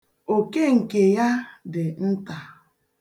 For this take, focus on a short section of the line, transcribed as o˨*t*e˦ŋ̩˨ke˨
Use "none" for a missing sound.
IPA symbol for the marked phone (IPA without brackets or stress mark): k